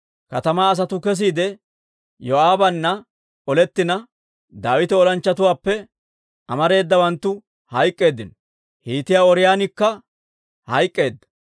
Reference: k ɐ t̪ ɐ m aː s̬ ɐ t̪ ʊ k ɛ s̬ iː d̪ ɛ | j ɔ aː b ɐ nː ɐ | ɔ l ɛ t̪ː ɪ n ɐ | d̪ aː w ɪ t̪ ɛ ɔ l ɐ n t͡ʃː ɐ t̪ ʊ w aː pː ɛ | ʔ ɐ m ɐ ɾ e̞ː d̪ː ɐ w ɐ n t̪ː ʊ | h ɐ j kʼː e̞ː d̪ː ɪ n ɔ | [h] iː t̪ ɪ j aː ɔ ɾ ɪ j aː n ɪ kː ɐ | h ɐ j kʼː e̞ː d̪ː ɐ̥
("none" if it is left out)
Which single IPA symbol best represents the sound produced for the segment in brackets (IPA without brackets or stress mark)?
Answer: h